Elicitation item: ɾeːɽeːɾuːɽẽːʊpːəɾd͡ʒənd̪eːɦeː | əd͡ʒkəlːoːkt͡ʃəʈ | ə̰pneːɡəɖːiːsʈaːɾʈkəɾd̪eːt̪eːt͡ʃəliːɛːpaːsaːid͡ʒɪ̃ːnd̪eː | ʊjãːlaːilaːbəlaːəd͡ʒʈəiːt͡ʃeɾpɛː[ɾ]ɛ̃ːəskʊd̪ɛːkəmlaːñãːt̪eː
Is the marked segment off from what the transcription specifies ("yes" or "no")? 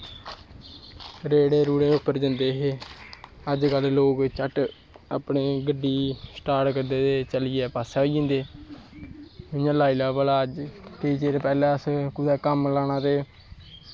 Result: yes